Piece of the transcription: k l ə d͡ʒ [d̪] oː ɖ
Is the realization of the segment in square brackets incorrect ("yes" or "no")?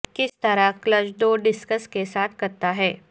no